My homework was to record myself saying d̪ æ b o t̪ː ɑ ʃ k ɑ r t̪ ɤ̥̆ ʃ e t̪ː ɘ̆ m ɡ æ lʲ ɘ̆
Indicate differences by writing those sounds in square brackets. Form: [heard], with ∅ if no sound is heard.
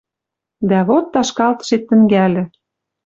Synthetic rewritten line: d̪ æ [β] o t̪ː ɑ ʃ k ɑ [l] t̪ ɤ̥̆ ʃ e t̪ː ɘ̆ [ŋ] ɡ æ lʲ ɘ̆